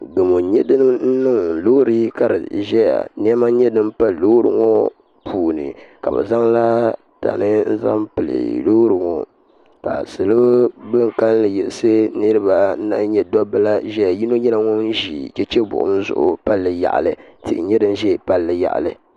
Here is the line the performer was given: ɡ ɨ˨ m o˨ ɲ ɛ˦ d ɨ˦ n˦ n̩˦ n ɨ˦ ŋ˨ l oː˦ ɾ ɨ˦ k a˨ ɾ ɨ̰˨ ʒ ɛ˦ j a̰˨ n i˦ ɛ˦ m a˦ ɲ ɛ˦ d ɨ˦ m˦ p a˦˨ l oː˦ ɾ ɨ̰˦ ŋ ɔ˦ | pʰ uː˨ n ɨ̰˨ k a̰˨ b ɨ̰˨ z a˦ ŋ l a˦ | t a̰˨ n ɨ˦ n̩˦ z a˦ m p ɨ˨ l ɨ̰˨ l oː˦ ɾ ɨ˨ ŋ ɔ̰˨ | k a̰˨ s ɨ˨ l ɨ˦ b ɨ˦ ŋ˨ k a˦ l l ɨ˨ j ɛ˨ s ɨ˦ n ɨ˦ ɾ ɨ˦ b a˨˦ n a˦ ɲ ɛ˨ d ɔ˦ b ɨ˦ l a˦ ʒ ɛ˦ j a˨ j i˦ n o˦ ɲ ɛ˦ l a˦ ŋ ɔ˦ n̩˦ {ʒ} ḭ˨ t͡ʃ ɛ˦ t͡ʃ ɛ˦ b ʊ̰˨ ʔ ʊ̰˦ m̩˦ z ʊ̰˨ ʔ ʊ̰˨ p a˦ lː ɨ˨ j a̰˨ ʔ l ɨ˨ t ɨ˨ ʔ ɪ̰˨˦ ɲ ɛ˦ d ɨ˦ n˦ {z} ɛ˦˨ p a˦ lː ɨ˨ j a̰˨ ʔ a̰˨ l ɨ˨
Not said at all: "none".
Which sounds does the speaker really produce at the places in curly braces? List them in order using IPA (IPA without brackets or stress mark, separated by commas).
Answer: ʒ, ʒ